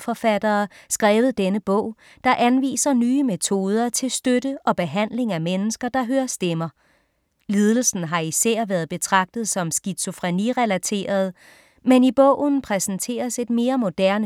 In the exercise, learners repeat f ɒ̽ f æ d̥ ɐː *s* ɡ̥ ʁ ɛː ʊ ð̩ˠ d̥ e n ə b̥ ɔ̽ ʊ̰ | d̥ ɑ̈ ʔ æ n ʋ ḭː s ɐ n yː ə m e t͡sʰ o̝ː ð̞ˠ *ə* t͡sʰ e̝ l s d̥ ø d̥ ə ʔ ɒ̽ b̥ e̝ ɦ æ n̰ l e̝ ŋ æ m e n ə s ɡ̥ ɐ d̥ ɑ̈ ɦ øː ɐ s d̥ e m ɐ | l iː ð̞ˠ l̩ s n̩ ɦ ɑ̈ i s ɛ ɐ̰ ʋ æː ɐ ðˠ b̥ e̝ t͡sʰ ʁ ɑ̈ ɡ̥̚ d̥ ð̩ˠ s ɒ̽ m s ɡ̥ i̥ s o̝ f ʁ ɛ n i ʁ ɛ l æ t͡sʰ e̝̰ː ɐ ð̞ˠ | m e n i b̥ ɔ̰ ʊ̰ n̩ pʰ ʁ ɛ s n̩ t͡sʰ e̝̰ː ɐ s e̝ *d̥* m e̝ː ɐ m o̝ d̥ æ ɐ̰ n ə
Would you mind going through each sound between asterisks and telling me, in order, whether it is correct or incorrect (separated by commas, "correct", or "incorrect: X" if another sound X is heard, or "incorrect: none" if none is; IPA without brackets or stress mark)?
correct, incorrect: ɐ, correct